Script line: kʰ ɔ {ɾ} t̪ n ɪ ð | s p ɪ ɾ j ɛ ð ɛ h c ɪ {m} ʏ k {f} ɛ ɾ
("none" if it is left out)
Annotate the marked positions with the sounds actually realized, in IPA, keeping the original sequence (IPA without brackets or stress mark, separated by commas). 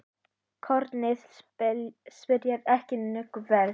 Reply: ɾ, n, v